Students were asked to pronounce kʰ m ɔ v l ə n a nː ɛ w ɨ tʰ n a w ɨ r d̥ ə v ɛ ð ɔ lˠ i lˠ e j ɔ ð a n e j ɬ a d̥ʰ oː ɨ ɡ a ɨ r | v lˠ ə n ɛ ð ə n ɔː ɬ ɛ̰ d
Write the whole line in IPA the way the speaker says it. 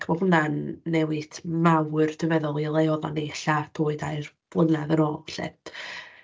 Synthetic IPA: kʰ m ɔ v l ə n a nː ɛ w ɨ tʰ m a w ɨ r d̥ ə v ɛ ð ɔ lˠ i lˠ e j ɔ ð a n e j ɬ a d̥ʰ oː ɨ d a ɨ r | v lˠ ə n a ð ə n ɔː ɬ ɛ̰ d